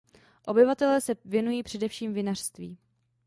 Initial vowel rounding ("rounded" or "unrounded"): rounded